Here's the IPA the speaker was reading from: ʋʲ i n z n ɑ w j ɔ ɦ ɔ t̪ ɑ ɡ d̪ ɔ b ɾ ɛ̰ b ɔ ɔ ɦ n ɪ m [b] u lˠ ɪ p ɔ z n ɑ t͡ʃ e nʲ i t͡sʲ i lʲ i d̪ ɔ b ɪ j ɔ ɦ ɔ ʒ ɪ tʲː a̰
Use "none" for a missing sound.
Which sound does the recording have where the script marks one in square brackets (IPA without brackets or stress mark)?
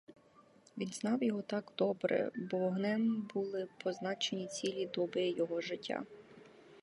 b